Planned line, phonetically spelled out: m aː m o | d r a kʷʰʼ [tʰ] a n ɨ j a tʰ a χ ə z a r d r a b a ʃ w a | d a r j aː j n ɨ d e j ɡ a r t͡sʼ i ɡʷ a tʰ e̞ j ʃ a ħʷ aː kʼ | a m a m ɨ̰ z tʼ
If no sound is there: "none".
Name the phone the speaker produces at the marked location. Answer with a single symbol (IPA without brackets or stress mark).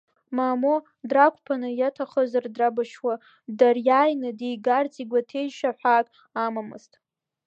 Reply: pʰ